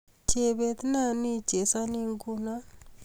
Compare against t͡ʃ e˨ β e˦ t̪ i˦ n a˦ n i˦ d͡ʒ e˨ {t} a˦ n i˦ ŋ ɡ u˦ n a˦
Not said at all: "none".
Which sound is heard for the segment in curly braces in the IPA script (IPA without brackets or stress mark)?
s